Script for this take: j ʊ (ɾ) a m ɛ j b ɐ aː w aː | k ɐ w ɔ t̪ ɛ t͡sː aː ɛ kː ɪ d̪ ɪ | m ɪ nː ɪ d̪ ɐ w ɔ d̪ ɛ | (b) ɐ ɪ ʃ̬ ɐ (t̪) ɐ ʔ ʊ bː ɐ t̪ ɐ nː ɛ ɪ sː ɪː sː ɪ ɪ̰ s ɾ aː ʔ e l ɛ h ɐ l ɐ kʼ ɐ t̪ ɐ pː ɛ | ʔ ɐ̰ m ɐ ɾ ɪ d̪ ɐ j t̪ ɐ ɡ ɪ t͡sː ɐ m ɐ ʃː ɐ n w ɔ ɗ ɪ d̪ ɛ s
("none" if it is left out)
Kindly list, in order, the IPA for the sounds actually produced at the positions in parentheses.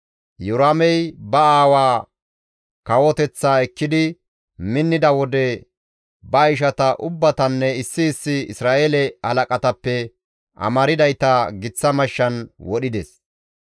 ɾ, b, t̪

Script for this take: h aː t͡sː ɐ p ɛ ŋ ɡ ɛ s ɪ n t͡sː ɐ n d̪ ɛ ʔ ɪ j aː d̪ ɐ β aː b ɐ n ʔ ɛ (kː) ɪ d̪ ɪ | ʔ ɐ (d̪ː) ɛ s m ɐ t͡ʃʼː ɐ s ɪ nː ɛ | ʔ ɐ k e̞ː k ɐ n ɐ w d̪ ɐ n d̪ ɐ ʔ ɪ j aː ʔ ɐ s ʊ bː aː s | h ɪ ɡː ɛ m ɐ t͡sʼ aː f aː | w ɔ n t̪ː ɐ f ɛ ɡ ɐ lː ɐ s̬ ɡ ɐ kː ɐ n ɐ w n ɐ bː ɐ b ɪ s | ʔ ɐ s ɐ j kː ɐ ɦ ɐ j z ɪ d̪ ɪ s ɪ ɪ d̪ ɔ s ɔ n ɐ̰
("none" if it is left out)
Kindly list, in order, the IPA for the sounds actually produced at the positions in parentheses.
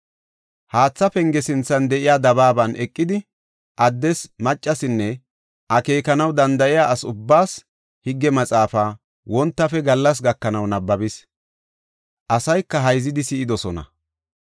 kʼː, d̪ː

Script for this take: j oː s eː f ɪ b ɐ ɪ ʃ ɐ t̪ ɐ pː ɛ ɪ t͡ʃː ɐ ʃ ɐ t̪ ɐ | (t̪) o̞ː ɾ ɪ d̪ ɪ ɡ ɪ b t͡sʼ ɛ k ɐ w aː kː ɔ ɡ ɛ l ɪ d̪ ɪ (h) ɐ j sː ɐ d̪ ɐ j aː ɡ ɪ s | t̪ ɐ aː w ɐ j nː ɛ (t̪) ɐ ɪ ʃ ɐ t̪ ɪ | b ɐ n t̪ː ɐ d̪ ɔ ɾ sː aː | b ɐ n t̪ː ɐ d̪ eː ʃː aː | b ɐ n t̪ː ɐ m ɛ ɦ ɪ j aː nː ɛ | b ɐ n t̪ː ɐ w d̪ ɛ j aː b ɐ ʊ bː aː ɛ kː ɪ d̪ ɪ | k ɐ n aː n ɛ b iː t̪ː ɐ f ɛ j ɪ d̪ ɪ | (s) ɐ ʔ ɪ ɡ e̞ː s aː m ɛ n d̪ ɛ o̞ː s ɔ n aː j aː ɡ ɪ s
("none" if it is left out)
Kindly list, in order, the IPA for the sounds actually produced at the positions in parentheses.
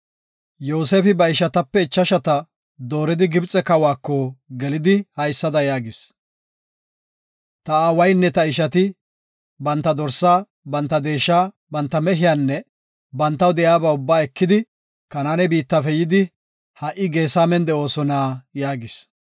d̪, h, t̪, h

